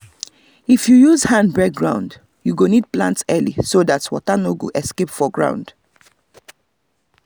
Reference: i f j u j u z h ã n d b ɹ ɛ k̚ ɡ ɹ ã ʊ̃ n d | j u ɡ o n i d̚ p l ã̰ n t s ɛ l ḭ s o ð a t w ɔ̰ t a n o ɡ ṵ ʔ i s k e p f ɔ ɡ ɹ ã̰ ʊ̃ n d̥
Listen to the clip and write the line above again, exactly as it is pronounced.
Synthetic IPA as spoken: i f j u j u z h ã n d b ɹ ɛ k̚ ɡ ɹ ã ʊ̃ n d | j u ɡ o n i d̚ p l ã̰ n t s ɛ l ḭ s o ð a t w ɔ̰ t a n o ɡ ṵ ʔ ɛ s k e p f ɔ ɡ ɹ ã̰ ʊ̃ n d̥